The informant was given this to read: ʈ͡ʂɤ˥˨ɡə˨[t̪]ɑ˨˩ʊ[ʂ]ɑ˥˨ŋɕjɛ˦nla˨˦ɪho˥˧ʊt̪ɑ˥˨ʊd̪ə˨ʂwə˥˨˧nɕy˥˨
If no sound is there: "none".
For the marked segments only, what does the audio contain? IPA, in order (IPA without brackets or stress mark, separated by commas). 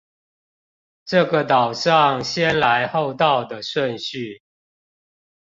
t̪, ʂ